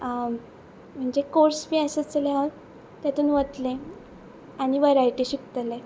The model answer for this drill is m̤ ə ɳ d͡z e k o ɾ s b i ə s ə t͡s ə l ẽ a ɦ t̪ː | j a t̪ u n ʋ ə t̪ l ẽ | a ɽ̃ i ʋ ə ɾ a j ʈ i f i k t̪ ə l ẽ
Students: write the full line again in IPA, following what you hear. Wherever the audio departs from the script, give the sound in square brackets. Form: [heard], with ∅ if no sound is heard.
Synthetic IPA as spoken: m̤ ə ɳ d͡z e k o ɾ s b i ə s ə t͡s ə l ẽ a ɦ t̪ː | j a t̪ [uː] n ʋ ə t̪ l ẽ | a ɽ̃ i ʋ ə ɾ a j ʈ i [ɕ] i k t̪ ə l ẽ